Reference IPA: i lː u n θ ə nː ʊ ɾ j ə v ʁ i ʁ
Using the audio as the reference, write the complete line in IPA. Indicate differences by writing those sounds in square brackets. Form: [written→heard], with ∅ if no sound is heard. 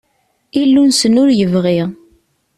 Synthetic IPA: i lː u n [θ→s] ə [nː→n] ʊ ɾ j ə v ʁ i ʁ